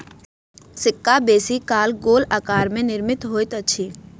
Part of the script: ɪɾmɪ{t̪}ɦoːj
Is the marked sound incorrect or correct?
correct